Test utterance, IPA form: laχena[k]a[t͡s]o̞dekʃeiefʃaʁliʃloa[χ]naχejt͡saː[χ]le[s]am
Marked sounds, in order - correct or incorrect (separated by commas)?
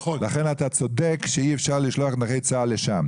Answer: incorrect, correct, correct, incorrect, incorrect